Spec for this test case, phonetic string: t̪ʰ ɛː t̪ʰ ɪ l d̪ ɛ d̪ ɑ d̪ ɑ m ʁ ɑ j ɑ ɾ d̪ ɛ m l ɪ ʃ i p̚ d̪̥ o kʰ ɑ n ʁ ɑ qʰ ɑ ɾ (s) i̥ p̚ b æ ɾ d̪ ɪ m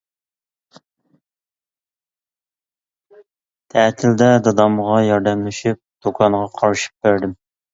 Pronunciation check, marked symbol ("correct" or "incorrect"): incorrect